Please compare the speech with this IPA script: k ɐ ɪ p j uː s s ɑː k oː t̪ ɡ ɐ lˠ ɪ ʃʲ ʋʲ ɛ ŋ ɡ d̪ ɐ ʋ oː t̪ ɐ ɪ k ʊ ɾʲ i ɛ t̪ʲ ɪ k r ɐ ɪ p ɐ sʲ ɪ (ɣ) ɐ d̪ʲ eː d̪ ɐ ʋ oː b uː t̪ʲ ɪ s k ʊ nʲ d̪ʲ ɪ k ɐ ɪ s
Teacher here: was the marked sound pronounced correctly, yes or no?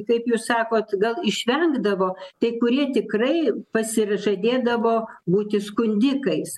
no